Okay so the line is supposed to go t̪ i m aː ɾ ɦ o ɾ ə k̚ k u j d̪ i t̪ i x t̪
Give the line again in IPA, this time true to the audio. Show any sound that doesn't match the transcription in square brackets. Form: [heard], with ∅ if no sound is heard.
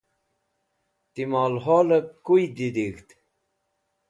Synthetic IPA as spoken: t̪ i m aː [l] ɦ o [l] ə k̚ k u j d̪ i [d̪] i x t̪